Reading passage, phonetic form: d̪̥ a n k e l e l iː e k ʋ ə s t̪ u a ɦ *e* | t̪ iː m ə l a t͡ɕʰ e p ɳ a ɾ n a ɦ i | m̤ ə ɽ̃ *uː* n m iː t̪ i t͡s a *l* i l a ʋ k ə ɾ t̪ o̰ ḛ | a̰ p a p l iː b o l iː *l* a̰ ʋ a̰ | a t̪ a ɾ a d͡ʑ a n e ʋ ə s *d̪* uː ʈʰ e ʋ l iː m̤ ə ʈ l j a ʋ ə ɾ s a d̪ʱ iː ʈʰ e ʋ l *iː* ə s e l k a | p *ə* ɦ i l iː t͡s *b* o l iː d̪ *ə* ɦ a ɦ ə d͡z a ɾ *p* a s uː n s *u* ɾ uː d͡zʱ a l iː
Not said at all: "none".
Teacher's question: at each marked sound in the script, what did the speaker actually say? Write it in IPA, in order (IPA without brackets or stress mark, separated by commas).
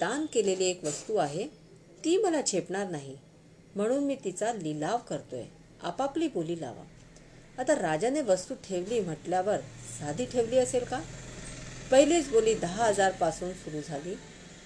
e, uː, l, l, t̪, iː, ə, b, ə, p, u